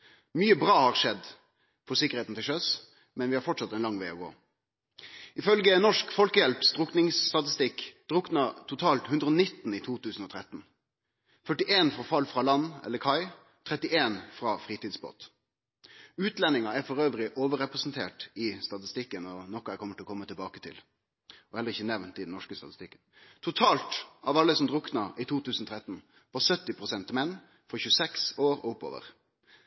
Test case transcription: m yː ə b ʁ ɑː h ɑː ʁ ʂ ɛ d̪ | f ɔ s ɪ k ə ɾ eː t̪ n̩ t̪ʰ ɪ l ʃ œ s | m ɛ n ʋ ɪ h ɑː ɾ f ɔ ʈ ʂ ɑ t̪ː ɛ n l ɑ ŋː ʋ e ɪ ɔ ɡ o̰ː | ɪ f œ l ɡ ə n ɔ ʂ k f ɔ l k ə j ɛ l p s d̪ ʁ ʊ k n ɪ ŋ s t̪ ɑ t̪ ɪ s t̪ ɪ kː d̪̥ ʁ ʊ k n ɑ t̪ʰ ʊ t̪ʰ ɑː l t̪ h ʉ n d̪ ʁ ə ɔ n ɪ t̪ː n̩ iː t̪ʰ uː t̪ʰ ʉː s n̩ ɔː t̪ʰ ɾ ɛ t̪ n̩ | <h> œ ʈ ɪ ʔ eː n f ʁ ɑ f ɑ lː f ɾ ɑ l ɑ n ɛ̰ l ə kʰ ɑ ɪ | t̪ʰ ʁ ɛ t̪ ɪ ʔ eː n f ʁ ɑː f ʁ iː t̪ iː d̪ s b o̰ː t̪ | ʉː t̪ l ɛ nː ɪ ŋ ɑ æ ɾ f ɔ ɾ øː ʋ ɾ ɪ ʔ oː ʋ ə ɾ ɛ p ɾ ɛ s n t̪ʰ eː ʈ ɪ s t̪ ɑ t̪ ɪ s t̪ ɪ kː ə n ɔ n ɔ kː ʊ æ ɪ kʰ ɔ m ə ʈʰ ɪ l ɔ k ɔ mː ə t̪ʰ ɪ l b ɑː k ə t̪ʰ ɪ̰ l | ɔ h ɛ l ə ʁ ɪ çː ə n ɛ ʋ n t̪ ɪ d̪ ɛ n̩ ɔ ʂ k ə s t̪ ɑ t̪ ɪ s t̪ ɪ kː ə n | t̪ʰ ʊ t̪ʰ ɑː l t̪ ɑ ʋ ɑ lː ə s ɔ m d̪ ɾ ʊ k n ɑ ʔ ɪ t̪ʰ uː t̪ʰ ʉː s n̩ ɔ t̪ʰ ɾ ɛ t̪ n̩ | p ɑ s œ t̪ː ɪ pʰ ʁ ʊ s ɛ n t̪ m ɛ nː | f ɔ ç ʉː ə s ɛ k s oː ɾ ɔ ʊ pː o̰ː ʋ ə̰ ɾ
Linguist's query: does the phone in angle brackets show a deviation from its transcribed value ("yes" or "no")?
yes